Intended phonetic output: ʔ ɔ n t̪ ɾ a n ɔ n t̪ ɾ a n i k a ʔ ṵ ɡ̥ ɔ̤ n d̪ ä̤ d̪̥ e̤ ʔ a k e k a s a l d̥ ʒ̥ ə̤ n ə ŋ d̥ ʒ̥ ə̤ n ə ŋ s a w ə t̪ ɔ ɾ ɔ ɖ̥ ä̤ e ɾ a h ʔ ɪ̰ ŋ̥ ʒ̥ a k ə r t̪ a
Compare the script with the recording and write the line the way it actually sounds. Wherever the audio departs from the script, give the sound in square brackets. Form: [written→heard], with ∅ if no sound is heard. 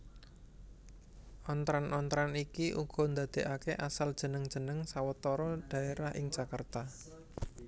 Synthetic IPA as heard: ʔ ɔ n t̪ ɾ a n ɔ n t̪ ɾ a n i k [a→i] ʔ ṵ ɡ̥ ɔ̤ n d̪ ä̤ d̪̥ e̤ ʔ a k e [k→ʔ] a s a l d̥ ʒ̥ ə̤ n ə ŋ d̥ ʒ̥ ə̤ n ə ŋ s a w ə t̪ ɔ ɾ ɔ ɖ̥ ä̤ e ɾ a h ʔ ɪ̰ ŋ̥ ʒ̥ a k ə r t̪ a